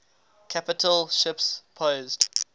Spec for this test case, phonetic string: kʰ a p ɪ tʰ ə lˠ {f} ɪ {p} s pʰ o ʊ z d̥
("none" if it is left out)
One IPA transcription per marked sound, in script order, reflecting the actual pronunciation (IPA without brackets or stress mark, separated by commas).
ʃ, p